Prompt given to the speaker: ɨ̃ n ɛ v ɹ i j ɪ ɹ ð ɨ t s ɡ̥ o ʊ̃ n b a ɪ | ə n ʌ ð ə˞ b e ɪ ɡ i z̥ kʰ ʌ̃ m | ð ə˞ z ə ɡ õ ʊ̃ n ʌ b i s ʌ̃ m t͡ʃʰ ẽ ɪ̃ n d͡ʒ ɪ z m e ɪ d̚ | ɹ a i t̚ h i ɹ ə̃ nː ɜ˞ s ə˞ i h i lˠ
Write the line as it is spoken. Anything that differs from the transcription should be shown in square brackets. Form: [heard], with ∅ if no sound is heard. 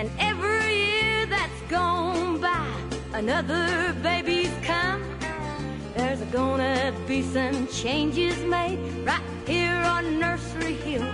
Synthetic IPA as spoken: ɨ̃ n ɛ v ɹ i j ɪ ɹ ð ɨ t s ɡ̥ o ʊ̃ n b a ɪ | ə n ʌ ð ə˞ b e ɪ [b] i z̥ kʰ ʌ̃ m | ð ə˞ z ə ɡ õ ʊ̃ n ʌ b i s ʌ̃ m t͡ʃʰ ẽ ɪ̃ n d͡ʒ ɪ z m e ɪ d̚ | ɹ a [ɪ] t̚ h i ɹ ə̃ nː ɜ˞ s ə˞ i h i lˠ